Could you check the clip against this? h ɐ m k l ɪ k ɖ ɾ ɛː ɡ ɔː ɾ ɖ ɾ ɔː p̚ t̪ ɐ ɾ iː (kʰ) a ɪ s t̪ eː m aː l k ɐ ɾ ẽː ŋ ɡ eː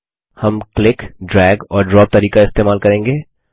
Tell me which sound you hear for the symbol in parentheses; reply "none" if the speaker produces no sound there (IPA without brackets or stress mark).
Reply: k